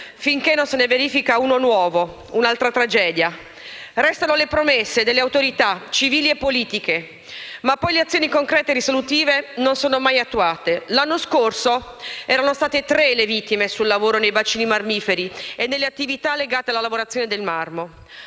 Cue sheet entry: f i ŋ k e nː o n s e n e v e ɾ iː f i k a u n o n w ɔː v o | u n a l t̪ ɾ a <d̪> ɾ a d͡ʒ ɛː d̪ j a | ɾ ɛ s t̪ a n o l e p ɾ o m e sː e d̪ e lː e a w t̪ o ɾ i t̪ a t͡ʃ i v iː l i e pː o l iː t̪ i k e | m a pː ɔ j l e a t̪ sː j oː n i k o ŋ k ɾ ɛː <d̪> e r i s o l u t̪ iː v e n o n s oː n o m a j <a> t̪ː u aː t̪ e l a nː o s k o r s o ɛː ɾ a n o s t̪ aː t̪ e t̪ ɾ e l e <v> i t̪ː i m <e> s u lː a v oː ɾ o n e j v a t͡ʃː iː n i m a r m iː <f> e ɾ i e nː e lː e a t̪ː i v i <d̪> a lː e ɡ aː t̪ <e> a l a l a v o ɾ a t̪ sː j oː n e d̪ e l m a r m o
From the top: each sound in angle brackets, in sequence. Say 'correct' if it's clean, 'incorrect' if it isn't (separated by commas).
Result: incorrect, incorrect, correct, correct, correct, correct, incorrect, correct